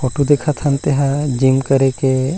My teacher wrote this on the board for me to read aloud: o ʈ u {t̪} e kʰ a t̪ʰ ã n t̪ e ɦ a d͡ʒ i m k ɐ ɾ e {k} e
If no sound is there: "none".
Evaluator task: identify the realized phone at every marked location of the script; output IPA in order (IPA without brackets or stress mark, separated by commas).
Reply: d̪, k